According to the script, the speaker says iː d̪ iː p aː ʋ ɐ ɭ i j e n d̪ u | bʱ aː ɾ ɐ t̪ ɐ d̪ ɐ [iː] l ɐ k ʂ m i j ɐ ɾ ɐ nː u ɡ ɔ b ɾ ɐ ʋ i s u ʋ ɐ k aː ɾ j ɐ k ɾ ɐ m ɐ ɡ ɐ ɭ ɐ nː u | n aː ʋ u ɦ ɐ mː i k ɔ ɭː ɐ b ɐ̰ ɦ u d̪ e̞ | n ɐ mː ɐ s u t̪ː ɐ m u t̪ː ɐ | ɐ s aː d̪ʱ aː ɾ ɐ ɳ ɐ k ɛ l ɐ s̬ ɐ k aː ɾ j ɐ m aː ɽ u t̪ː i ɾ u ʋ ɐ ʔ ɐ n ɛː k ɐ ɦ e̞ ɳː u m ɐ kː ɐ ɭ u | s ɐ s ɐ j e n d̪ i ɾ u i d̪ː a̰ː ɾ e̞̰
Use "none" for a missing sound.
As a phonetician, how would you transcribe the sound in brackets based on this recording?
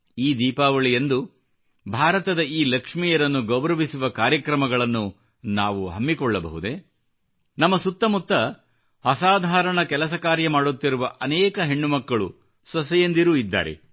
iː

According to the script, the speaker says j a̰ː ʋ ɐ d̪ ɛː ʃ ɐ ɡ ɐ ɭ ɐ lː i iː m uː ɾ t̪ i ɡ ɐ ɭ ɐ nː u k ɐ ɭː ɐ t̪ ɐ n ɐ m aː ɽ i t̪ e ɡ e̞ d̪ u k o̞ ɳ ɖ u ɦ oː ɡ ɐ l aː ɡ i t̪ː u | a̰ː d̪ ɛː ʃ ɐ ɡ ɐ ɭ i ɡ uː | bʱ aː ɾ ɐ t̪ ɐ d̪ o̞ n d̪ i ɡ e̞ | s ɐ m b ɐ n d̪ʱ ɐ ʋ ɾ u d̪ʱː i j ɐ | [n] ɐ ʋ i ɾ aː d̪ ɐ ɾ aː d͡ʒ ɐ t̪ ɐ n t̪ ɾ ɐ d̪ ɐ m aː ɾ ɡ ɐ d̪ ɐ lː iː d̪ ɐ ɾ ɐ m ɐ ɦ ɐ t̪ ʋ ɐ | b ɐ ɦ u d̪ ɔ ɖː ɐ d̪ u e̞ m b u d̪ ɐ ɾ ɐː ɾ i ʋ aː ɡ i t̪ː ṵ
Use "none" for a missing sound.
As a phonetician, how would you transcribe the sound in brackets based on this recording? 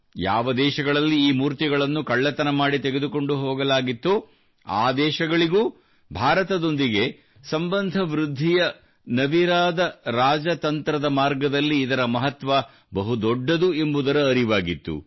n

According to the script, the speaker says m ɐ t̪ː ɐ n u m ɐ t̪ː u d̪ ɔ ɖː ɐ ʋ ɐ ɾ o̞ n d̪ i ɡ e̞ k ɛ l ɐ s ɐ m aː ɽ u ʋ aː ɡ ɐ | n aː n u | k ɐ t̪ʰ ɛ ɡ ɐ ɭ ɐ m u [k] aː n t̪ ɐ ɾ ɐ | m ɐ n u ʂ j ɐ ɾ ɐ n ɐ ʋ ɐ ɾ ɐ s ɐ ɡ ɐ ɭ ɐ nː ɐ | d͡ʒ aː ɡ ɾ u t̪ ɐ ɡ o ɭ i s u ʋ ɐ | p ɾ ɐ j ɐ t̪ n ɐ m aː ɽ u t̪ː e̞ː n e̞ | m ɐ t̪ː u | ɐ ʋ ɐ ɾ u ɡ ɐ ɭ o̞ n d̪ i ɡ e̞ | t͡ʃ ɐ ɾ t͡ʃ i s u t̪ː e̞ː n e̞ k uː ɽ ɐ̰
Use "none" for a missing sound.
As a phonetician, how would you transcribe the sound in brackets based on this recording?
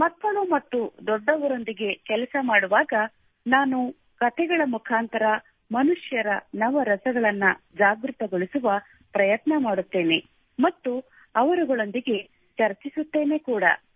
kʰ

